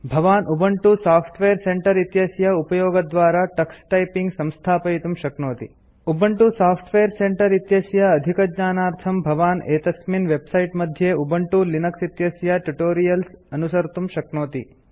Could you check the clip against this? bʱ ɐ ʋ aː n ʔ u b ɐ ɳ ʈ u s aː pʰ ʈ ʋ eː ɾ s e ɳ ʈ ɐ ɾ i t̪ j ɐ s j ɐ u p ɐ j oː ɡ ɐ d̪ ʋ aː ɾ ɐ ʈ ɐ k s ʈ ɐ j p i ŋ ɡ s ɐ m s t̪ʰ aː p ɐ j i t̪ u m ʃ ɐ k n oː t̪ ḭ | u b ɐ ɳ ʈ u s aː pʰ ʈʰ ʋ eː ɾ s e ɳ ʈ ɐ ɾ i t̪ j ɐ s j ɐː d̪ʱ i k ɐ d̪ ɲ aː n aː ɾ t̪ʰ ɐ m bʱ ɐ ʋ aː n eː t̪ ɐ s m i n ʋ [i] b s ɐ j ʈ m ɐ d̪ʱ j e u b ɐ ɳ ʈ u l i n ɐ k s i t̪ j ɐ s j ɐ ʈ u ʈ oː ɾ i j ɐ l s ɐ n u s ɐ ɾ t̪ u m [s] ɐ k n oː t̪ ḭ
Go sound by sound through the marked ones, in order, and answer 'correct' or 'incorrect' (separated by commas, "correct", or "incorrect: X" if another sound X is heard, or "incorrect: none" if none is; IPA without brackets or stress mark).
incorrect: e, incorrect: ʃ